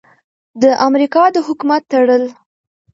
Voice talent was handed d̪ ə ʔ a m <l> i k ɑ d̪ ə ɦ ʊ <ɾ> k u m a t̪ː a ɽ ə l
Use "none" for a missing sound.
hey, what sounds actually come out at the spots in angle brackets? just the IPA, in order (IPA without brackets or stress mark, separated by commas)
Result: ɾ, none